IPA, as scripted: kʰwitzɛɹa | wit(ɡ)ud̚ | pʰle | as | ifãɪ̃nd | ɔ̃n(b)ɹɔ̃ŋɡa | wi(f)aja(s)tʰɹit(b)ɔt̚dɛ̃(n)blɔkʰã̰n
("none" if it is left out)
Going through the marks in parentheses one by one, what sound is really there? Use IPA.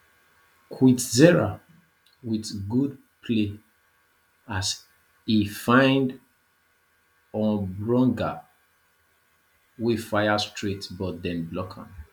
ɡ, b, f, s, b, n

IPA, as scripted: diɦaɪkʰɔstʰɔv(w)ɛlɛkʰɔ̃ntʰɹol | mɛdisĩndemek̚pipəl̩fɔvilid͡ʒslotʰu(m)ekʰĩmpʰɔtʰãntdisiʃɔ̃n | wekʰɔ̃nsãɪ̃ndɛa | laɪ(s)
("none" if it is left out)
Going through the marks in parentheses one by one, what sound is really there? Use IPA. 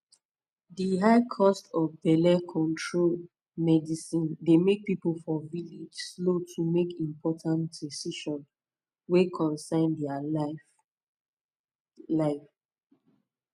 b, m, f

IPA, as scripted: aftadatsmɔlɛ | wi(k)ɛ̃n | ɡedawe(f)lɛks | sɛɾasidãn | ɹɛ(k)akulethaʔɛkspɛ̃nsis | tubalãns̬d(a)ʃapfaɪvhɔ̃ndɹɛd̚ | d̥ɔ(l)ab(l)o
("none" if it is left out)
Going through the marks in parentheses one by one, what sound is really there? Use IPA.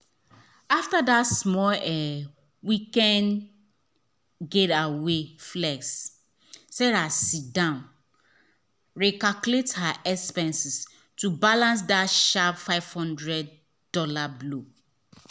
k, f, k, a, l, l

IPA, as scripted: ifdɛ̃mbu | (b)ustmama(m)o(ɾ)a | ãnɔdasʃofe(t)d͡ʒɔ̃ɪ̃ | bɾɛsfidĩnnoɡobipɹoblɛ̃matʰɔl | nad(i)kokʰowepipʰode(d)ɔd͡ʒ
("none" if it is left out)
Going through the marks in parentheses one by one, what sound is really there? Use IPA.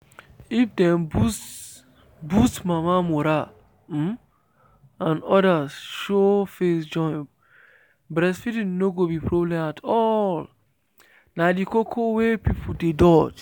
b, m, ɾ, s, i, d

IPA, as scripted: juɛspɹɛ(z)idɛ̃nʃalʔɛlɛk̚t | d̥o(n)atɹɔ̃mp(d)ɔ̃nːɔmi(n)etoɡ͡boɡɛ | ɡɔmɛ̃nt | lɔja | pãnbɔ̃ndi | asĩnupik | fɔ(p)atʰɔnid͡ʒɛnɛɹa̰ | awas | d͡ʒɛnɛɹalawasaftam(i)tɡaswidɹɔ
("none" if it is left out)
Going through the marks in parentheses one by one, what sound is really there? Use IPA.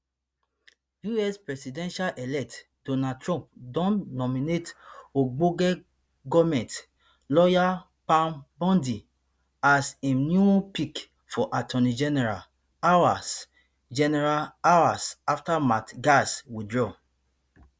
s, n, d, n, ʔ, a

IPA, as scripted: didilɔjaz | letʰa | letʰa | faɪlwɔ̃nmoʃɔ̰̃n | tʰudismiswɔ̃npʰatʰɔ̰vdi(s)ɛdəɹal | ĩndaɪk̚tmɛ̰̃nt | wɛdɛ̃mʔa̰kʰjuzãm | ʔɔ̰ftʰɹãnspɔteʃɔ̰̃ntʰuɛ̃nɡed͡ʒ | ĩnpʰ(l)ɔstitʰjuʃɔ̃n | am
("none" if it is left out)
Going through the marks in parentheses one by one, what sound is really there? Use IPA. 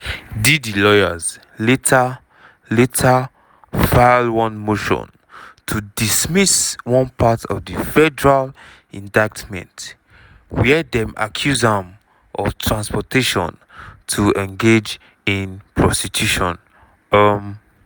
f, ɹ

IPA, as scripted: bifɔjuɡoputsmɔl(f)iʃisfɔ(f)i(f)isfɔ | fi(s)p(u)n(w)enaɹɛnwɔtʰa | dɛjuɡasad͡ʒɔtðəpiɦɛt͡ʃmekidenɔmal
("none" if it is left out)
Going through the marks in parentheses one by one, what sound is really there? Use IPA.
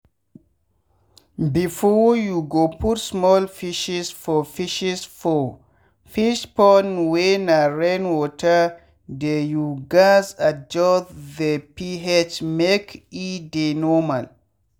f, f, ʃ, ʃ, ɔ, w

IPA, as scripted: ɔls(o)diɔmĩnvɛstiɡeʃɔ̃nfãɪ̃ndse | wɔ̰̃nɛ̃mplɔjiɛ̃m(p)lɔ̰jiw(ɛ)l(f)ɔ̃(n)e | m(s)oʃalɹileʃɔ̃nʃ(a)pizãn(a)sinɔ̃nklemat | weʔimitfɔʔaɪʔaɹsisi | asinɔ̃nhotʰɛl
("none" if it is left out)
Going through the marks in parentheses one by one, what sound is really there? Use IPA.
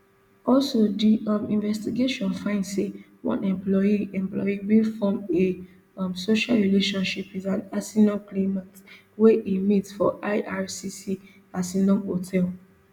o, p, i, f, m, s, i, a

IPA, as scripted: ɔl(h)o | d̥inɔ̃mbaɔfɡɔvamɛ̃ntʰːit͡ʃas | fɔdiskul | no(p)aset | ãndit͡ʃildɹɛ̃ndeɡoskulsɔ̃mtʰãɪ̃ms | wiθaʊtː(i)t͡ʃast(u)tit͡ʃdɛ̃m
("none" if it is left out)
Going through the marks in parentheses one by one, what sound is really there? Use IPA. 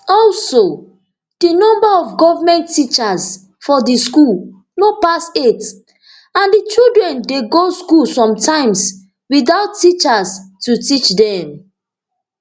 s, p, i, u

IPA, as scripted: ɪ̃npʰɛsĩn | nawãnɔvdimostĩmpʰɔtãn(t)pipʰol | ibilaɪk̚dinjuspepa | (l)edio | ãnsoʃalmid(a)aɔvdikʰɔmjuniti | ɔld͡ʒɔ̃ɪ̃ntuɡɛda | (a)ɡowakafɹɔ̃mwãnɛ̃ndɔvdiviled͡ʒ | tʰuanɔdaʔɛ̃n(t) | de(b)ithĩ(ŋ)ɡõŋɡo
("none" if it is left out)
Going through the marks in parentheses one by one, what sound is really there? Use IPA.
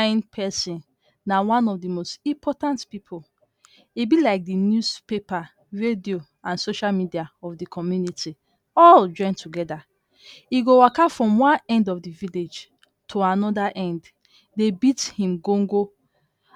t, ɹ, i, i, d, b, m

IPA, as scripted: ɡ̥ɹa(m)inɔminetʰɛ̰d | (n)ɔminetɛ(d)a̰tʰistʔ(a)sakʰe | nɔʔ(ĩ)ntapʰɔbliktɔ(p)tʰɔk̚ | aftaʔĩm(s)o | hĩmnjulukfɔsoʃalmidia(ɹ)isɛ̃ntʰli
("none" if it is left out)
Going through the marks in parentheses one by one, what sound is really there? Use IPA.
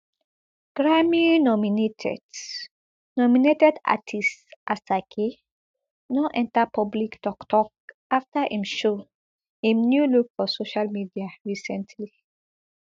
m, n, d, a, ɛ̃, k, ʃ, ɹ

